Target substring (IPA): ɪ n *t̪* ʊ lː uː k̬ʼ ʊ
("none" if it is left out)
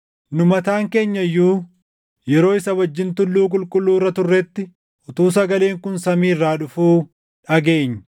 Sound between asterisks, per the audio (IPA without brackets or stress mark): t̪